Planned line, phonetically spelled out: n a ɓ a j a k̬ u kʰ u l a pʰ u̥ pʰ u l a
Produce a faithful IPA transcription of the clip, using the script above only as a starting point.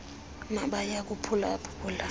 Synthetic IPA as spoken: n a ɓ a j a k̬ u pʰ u l a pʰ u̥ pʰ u l a